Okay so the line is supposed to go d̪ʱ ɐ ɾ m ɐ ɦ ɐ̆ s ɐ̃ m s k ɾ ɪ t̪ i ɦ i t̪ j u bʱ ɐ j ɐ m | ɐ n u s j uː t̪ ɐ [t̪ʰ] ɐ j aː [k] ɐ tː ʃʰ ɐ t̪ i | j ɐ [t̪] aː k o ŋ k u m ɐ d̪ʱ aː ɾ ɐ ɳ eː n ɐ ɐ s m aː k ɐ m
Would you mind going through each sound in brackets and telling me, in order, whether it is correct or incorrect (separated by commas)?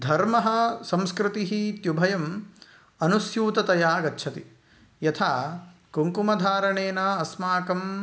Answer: incorrect, incorrect, incorrect